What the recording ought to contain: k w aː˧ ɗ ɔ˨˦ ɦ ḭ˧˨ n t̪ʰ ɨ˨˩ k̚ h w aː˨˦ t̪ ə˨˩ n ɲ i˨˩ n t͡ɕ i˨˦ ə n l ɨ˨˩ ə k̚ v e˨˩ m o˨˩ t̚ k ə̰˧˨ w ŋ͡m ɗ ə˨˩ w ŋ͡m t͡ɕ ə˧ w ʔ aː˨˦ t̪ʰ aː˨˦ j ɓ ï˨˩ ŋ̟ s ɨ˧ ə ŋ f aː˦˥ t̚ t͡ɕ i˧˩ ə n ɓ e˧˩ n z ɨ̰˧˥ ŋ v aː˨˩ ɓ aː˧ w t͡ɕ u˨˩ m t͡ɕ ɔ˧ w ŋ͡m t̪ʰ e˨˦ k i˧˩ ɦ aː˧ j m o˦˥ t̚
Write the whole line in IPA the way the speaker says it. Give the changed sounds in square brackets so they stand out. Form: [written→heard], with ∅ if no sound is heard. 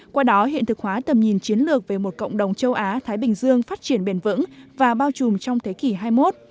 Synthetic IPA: k w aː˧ ɗ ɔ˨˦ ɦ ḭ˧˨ n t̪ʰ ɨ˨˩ k̚ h w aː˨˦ t̪ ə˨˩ [n→m] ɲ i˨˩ n t͡ɕ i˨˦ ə n l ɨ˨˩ ə k̚ v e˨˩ m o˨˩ t̚ k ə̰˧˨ w ŋ͡m ɗ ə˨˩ w ŋ͡m t͡ɕ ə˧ w ʔ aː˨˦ t̪ʰ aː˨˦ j ɓ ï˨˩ ŋ̟ [s→z] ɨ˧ ə ŋ f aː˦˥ t̚ t͡ɕ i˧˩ ə n ɓ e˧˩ n [z→v] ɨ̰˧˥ ŋ v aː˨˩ ɓ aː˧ w t͡ɕ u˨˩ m t͡ɕ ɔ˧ w ŋ͡m t̪ʰ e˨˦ k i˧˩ ɦ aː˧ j m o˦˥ t̚